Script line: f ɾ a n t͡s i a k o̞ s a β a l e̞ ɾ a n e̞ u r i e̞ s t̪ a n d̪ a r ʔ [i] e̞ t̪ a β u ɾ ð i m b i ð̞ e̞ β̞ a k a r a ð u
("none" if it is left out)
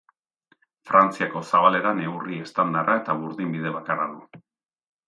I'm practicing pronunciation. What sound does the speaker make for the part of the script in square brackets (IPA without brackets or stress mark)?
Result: a